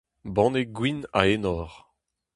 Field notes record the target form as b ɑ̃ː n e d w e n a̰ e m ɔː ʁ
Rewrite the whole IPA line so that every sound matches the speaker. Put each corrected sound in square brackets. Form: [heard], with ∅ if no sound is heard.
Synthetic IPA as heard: b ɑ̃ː n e [ɡ] w [i] n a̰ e [n] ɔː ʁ